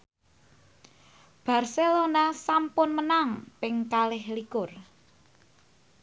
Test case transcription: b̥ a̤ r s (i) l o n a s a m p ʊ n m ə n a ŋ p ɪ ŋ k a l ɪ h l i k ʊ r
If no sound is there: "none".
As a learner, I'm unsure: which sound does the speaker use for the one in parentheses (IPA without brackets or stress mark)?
e